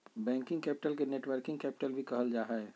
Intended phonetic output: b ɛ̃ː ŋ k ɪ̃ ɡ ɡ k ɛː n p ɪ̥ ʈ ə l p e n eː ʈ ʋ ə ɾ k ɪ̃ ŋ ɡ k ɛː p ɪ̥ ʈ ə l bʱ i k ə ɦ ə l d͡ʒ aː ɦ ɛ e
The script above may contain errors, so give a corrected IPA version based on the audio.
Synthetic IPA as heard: b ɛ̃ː ŋ k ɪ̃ ŋ ɡ k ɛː p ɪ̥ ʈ ə l k e n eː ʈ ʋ ə ɾ k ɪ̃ ŋ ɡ k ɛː p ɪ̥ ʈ ə l bʱ i k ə ɦ ə l d͡ʒ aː ɦ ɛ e